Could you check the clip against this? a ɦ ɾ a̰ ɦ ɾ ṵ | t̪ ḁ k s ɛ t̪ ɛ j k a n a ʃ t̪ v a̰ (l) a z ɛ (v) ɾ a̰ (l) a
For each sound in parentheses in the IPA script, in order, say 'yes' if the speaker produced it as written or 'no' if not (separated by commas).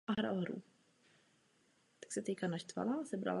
yes, no, yes